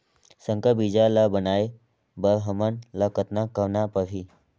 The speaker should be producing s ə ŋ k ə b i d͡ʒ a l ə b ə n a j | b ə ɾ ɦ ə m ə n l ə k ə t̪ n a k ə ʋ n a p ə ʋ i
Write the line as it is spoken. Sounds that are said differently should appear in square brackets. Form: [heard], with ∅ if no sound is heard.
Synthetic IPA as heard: s ə ŋ k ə b i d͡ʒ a l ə b ə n a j | b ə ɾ ɦ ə m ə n l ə k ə t̪ n a k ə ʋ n a p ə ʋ i